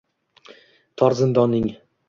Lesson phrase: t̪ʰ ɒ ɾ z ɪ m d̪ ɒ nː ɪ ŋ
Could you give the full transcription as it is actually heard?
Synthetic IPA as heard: t̪ʰ ɒ ɾ z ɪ n d̪ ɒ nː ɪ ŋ